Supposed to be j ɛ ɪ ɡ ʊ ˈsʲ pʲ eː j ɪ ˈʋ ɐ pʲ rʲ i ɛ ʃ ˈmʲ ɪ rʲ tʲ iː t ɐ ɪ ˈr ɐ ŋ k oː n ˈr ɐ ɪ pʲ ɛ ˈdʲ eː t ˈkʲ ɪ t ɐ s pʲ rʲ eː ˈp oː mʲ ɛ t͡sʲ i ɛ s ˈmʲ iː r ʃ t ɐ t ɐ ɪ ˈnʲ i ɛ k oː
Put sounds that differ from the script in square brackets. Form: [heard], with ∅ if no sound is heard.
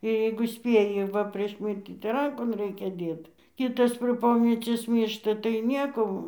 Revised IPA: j ɛ ɪ ɡ ʊ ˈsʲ pʲ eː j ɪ ˈʋ ɐ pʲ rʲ i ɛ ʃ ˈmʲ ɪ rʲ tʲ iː t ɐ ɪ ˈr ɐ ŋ k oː n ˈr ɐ ɪ [kʲ] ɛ ˈdʲ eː t ˈkʲ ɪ t ɐ s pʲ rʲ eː ˈp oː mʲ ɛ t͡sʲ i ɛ s ˈmʲ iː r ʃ t ɐ t ɐ ɪ ˈnʲ i ɛ k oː